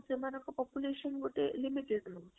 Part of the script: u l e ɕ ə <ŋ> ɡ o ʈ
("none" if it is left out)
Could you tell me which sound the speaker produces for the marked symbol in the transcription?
n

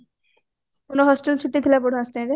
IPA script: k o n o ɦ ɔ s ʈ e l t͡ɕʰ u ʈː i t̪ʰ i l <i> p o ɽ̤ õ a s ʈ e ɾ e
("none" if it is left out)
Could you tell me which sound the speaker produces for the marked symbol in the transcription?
a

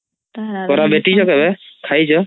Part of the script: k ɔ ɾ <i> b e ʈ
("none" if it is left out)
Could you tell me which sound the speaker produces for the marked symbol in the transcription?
a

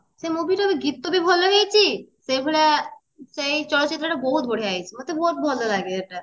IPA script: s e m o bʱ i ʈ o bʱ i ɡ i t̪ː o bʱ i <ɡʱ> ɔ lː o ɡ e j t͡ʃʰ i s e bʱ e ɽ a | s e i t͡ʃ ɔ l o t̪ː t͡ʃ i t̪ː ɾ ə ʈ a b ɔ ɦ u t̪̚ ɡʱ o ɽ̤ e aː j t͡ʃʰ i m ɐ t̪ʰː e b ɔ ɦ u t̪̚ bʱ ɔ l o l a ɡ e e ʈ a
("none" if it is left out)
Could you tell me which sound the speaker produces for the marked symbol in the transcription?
bʱ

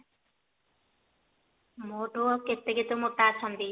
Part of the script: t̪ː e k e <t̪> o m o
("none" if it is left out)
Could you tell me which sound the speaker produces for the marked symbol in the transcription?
t̪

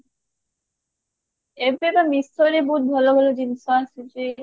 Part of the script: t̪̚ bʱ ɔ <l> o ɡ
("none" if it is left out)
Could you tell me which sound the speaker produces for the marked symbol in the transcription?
l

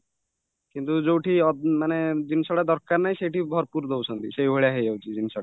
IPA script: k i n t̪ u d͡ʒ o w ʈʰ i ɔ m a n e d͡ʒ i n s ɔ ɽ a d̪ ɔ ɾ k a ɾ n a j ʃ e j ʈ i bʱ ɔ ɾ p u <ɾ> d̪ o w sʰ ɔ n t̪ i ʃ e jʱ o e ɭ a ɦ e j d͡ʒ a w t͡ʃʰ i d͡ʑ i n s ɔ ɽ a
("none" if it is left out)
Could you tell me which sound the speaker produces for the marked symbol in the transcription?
ɾ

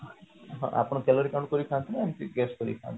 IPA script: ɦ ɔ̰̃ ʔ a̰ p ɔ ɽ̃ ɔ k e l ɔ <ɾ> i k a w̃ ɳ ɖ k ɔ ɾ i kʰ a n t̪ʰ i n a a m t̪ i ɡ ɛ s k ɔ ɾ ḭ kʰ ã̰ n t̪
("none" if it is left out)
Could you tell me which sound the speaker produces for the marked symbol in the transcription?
ɾ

